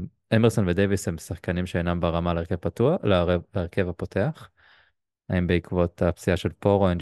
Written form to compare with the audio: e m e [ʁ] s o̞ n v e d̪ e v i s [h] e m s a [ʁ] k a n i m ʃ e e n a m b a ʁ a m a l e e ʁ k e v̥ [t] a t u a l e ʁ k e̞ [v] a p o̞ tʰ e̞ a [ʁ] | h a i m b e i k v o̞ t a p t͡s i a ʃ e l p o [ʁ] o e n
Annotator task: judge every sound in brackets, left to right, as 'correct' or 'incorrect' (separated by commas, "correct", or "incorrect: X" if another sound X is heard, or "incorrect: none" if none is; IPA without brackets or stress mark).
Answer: correct, correct, incorrect: χ, incorrect: p, correct, incorrect: χ, correct